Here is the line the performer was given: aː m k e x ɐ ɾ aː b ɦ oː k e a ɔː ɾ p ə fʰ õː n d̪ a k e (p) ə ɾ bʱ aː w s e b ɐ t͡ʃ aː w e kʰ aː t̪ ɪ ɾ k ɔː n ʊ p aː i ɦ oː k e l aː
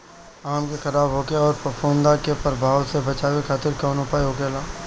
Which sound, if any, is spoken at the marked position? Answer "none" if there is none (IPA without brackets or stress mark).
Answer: p